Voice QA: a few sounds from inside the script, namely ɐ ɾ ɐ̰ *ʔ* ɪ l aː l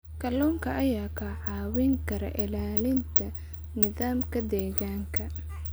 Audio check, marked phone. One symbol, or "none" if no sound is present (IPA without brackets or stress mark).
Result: ʔ